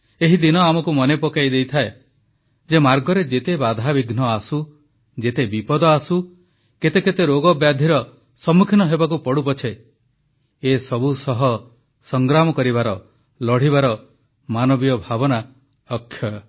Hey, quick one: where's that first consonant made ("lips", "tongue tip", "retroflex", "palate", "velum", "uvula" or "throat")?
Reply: throat